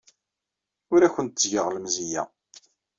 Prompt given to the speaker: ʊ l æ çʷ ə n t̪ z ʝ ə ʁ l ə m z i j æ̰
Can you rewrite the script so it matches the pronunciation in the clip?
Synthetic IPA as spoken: ʊ ɾ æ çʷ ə n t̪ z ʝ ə ʁ l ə m z i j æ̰